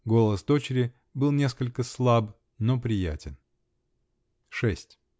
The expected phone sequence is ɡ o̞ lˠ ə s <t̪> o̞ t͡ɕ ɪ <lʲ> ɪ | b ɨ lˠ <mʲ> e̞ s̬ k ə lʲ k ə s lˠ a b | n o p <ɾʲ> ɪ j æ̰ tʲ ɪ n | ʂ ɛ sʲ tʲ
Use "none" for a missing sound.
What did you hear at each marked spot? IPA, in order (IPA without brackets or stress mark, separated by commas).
d̪, ɾʲ, nʲ, ɾʲ